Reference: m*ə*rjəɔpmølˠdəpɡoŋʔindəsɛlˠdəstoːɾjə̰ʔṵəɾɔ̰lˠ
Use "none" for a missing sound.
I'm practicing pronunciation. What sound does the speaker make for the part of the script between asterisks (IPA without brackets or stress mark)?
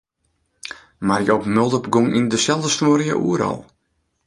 a